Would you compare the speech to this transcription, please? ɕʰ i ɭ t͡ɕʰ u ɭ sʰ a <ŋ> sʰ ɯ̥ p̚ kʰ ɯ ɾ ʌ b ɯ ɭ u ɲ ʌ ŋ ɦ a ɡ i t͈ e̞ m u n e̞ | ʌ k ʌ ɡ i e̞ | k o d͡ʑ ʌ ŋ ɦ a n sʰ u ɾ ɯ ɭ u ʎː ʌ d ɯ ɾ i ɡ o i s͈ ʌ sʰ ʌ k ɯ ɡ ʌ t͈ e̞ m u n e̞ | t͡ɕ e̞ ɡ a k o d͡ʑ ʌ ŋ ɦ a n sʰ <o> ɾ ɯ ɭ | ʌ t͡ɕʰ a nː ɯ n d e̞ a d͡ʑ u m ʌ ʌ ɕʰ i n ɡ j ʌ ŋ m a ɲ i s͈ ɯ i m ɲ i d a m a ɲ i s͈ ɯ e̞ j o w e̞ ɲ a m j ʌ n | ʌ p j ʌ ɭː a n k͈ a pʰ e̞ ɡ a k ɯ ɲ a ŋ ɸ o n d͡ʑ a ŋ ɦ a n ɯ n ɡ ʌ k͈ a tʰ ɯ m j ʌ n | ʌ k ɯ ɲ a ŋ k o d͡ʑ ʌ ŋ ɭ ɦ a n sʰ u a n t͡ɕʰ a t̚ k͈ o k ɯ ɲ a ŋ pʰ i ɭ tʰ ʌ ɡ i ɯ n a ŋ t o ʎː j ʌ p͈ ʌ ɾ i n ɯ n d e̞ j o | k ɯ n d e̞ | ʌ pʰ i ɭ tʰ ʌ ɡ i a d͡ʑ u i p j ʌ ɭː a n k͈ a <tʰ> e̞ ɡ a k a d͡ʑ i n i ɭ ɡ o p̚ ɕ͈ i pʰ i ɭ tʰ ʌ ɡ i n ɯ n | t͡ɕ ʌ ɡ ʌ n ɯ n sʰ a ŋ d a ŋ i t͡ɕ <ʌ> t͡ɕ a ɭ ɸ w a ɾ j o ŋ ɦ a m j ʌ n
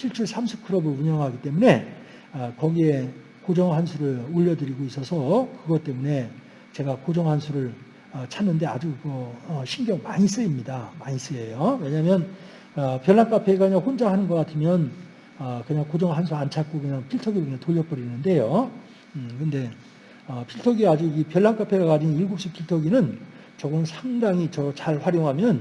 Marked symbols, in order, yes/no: no, no, no, yes

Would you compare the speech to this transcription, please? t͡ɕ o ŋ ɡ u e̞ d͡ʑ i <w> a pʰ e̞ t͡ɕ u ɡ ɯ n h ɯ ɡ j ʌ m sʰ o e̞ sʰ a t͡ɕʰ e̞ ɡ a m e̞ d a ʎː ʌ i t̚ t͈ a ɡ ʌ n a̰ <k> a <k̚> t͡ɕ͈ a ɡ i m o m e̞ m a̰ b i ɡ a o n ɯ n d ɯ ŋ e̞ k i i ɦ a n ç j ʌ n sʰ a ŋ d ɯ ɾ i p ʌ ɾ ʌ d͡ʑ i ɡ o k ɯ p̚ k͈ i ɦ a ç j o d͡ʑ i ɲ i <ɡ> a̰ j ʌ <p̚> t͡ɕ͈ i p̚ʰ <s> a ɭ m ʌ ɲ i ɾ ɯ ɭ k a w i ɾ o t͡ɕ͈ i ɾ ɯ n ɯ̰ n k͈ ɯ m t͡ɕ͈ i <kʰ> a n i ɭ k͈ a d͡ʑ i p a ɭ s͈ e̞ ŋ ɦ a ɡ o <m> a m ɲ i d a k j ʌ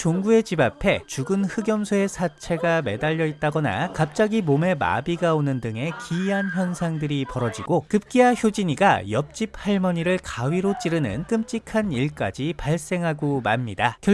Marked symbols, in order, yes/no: no, yes, no, yes, yes, no, yes, yes

